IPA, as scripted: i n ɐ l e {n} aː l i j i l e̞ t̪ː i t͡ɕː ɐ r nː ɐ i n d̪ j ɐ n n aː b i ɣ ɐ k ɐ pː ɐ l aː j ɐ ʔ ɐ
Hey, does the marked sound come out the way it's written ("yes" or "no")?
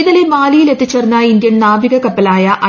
no